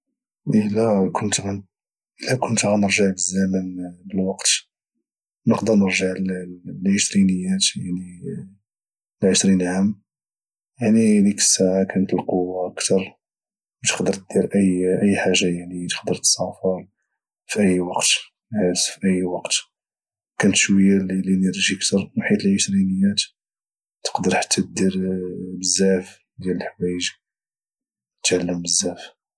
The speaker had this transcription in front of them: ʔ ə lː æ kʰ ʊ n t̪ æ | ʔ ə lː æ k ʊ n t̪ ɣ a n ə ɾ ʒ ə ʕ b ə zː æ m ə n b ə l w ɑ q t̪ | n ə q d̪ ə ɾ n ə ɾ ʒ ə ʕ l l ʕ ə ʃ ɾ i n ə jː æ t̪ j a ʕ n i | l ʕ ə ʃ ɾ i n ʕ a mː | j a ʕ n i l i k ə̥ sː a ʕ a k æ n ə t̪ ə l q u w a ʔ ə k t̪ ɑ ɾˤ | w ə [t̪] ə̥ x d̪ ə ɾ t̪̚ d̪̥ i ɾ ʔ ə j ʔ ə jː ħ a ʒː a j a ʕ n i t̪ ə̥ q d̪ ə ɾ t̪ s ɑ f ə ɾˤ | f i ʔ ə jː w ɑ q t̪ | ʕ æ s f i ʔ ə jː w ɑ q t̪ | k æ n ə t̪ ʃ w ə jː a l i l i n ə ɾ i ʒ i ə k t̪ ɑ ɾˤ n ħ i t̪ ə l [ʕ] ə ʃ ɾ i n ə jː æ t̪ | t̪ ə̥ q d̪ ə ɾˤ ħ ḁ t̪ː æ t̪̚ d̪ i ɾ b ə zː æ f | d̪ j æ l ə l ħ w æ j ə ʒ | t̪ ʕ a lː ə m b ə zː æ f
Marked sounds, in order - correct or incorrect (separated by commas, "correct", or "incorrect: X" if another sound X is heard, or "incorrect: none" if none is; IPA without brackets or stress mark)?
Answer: correct, correct